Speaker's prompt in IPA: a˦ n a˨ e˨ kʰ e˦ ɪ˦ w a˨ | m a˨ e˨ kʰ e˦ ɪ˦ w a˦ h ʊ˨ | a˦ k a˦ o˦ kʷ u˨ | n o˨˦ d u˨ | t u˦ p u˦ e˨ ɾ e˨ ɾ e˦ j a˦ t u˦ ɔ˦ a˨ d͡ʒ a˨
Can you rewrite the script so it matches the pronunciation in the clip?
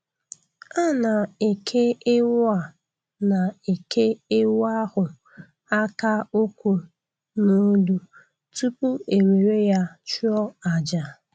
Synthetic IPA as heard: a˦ n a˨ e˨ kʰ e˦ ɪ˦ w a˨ | n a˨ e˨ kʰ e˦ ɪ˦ w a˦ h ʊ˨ | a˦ k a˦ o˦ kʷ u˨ | n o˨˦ d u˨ | t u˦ p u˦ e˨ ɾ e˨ ɾ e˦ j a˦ t͡ʃ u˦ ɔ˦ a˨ d͡ʒ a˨

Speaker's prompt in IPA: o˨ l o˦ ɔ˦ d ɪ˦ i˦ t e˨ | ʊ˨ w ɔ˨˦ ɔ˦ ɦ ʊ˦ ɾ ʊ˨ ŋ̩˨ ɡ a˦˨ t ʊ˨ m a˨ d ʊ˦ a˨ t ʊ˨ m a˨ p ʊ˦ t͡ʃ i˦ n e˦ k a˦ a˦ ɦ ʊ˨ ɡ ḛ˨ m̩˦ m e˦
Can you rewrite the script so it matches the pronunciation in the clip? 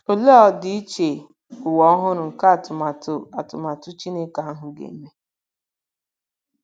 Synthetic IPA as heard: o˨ l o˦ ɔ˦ d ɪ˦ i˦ t͡ʃ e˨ | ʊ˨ w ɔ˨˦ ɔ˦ ɦ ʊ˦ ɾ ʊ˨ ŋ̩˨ k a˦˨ t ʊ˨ m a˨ t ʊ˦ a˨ t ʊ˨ m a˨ t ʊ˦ t͡ʃ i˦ n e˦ k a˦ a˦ ɦ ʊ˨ ɡ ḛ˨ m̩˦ m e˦

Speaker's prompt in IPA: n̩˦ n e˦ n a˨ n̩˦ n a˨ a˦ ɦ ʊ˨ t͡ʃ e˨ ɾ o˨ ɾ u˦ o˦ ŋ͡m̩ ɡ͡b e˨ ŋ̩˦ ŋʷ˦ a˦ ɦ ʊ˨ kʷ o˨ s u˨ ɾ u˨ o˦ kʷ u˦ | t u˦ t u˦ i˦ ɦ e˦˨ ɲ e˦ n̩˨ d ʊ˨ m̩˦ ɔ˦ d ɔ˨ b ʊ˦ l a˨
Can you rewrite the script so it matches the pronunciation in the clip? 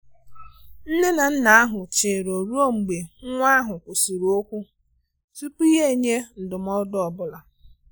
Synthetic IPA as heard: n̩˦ n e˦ n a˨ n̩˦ n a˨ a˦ ɦ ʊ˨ t͡ʃ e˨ ɾ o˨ ɾ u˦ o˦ ŋ͡m̩ ɡ͡b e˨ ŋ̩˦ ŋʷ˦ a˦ ɦ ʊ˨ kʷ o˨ s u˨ ɾ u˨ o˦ kʷ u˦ | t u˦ p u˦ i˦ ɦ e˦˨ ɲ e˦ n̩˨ d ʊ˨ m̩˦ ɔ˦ d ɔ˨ b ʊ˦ l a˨

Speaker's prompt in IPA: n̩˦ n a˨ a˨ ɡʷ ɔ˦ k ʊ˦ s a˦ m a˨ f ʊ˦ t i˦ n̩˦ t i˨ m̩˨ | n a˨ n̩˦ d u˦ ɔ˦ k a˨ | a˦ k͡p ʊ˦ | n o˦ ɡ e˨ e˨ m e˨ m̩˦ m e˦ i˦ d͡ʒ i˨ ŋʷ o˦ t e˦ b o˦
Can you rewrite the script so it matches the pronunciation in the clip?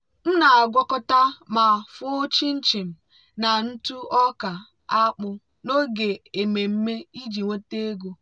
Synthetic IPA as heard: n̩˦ n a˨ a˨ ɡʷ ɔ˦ k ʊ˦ t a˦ m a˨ f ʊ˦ t͡ʃ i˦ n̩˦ t͡ʃ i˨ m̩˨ | n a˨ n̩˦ t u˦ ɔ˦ k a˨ | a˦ k͡p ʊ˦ | n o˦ ɡ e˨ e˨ m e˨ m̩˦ m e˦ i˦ d͡ʒ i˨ ŋʷ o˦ t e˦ ɡ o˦

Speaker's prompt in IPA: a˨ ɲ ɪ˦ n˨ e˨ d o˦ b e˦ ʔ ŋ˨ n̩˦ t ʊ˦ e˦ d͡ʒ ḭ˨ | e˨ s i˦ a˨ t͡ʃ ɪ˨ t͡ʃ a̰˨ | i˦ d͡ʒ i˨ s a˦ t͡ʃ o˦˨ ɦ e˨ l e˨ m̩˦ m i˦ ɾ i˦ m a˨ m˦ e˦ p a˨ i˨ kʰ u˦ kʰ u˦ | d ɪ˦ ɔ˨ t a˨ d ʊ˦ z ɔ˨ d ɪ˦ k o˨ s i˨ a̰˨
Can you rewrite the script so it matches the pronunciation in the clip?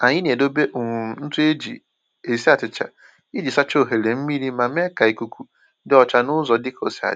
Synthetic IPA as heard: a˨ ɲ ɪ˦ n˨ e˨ d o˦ b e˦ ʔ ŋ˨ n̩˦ t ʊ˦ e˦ d͡ʒ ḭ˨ | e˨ s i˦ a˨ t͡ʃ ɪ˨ t͡ʃ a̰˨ | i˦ d͡ʒ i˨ s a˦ t͡ʃ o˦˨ ɦ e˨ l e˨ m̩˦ m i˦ ɾ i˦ m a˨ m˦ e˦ k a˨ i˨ k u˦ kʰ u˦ | d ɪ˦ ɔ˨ t͡ʃ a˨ n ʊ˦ z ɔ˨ d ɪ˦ k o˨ s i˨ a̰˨

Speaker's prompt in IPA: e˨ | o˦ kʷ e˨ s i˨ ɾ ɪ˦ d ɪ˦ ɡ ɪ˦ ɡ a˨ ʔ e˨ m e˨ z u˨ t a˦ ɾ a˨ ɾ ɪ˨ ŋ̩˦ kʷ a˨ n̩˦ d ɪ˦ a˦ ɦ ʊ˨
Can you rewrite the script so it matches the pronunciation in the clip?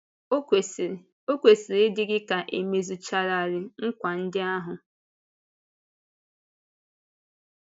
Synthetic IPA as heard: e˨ | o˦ kʷ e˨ s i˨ ɾ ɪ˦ d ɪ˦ ɡ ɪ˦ k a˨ ʔ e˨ m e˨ z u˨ t͡ʃ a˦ ɾ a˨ ɾ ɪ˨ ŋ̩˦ kʷ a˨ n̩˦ d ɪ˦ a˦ ɦ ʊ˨

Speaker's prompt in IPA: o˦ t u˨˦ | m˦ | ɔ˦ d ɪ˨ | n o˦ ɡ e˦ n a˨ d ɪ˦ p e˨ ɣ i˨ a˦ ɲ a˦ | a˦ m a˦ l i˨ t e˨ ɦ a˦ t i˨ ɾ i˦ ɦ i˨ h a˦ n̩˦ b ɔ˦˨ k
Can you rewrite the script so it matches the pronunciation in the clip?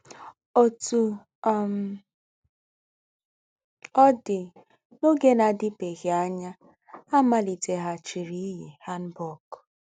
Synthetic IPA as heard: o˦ t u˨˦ | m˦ | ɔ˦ d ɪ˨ | n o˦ ɡ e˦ n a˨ d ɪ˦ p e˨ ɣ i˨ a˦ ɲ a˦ | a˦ m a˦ l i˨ t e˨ ɦ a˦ t͡ʃ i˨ ɾ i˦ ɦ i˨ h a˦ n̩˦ b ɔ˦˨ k

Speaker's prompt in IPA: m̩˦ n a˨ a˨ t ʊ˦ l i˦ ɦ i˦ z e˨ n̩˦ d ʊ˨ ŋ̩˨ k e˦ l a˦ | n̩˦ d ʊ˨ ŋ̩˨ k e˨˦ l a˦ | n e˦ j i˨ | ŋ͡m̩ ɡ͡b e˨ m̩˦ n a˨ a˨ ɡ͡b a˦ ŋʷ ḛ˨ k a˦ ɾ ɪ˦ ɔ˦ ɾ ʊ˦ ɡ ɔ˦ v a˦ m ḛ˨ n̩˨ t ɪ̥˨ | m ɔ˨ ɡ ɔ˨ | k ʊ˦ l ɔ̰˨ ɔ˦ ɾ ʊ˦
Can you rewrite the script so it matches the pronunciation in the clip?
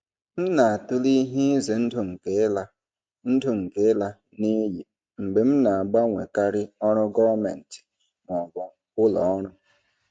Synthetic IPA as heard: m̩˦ n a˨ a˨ t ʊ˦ l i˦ ɦ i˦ z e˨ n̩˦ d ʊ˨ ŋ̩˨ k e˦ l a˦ | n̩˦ d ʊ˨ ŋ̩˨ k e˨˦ l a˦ | n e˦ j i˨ | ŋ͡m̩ ɡ͡b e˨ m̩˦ n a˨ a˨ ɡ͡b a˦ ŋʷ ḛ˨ k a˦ ɾ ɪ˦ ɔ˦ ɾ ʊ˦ ɡ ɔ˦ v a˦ m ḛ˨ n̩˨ t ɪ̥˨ | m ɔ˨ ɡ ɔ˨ | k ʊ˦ l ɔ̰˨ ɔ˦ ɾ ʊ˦

